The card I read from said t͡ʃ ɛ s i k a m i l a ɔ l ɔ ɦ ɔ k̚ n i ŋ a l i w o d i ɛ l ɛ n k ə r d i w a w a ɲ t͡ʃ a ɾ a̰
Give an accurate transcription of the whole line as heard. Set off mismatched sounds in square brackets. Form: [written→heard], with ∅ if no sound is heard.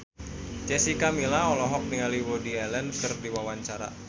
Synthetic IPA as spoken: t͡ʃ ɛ s i k a m i l a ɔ l ɔ ɦ ɔ k̚ n i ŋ a l i w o d i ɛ l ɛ n k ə r d i w a w a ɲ t͡ʃ a ɾ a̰

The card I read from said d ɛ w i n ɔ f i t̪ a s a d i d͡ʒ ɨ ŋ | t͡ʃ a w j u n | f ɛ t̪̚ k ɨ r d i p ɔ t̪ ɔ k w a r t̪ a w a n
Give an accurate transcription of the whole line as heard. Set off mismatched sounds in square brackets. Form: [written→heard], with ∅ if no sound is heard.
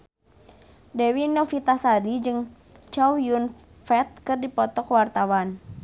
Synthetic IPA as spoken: d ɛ w i n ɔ f i t̪ a s a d i d͡ʒ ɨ ŋ | t͡ʃ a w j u n | f ɛ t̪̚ k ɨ r d i p ɔ t̪ ɔ k w a r t̪ a w a n

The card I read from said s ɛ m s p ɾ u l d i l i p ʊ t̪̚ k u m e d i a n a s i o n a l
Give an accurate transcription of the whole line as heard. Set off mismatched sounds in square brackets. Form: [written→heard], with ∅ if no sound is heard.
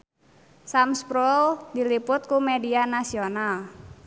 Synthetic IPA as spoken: s [ɛ→a] m s p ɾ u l d i l i p ʊ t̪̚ k u m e d i a n a s i o n a l

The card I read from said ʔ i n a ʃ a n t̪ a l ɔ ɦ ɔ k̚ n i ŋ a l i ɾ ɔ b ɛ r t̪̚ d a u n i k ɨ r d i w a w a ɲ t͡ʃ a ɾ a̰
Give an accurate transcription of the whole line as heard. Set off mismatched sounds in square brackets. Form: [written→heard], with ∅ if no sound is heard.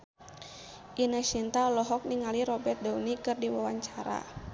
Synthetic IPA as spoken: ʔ i n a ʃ [a→i] n t̪ a l ɔ ɦ ɔ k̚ n i ŋ a l i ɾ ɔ b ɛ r t̪̚ d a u n i k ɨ r d i w a w a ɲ t͡ʃ a ɾ a̰

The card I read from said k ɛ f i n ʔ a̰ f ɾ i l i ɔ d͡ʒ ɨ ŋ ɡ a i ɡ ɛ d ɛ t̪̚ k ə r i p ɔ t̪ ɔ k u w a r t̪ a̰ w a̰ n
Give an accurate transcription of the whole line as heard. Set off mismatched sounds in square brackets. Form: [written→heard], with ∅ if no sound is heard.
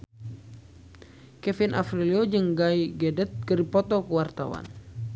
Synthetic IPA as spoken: k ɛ f i n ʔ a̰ f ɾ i l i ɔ d͡ʒ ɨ ŋ ɡ a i ɡ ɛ d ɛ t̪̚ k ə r i p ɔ t̪ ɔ k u w a r t̪ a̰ w a̰ n

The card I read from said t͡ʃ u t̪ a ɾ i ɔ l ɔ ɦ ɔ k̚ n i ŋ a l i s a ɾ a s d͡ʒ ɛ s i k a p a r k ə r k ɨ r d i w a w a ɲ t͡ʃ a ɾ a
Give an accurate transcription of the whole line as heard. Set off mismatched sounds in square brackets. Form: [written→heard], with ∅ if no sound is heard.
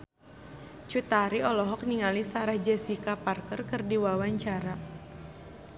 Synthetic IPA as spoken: t͡ʃ u t̪ a ɾ i ɔ l ɔ ɦ ɔ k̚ n i ŋ a l i s a ɾ a [s→h] d͡ʒ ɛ s i k a p a r k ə r k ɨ r d i w a w a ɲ t͡ʃ a ɾ a

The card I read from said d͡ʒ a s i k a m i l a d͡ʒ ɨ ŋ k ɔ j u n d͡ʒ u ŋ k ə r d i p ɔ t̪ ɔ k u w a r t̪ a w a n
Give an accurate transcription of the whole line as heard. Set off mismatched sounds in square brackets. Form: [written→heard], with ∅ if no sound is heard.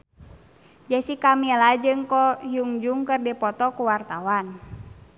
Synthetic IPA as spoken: d͡ʒ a s i k a m i l a d͡ʒ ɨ ŋ k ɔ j u [n→ŋ] d͡ʒ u ŋ k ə r d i p ɔ t̪ ɔ k u w a r t̪ a w a n

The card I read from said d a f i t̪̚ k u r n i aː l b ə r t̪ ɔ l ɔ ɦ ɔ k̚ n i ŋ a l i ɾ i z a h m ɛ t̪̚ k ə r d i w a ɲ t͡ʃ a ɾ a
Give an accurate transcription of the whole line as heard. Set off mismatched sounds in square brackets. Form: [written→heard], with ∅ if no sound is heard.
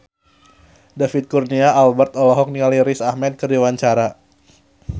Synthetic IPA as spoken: d a f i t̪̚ k u r n i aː l b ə r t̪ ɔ l ɔ ɦ ɔ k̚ n i ŋ a l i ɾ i [z→s] a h m ɛ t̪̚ k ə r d i w a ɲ t͡ʃ a ɾ a

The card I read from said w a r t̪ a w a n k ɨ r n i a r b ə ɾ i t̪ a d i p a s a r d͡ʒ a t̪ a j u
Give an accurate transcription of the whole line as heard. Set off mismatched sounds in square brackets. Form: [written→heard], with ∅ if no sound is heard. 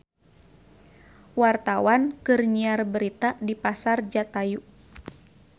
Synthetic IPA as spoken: w a r t̪ a w a n k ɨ r [n→ɲ] i a r b ə ɾ i t̪ a d i p a s a r d͡ʒ a t̪ a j u

